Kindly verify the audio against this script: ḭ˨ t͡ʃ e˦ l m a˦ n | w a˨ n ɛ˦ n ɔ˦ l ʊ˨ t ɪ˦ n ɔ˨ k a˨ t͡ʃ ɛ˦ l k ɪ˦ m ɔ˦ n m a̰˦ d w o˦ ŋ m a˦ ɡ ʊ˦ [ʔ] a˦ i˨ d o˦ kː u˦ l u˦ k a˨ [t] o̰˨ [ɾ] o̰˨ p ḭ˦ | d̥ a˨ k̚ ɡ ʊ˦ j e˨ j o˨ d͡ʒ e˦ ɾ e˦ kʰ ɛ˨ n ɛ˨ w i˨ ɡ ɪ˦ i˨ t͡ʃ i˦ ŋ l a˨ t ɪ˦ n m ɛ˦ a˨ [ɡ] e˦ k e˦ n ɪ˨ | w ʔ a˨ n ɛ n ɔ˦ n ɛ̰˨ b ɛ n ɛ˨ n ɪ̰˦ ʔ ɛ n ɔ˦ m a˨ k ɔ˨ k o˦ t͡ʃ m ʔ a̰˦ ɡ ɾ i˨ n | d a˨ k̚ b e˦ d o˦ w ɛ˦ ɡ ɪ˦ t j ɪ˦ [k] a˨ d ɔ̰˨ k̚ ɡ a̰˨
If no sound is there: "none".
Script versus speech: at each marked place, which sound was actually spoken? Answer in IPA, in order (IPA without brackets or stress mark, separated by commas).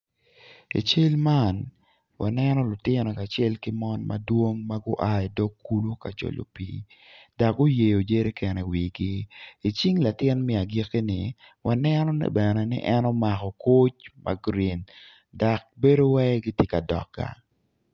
ʔ, t͡ʃ, l, ɡ, k